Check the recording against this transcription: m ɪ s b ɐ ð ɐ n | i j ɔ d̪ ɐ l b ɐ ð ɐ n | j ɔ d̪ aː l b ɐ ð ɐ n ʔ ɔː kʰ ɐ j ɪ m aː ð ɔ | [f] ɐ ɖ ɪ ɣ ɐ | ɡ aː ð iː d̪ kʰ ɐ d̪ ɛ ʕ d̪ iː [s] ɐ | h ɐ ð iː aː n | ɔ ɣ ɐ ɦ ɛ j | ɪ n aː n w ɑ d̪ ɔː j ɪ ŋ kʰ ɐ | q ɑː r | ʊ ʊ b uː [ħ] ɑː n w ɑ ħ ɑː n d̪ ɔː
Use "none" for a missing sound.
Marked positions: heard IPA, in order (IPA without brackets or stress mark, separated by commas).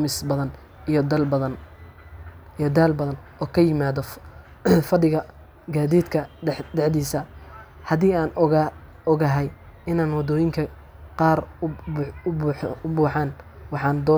f, s, ħ